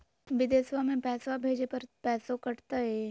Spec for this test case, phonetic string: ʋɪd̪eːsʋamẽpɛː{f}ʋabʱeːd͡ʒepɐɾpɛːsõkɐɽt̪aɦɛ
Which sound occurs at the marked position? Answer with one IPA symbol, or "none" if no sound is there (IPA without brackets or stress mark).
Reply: s